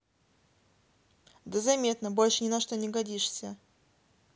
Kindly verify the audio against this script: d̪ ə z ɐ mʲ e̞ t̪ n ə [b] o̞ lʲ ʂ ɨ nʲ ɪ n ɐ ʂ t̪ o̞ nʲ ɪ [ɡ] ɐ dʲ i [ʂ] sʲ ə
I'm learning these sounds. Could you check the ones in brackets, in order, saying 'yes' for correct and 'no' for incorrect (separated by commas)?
yes, yes, yes